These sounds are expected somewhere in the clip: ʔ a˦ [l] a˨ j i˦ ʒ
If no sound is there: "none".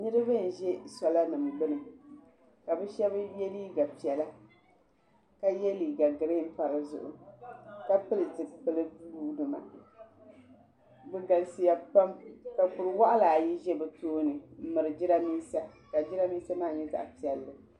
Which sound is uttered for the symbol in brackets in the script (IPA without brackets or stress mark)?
l